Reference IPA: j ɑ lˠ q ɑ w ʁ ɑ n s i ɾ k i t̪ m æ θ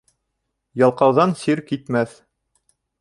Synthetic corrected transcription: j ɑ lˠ q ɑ w ð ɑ n s i ɾ k i t̪ m æ θ